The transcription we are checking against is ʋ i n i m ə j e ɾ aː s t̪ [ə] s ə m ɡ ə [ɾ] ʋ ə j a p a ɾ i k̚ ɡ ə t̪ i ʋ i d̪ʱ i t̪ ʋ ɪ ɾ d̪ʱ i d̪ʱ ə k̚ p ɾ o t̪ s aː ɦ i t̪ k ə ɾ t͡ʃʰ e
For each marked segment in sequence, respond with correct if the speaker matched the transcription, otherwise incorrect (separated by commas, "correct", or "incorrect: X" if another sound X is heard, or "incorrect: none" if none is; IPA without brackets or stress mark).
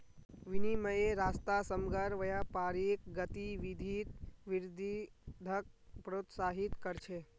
incorrect: a, correct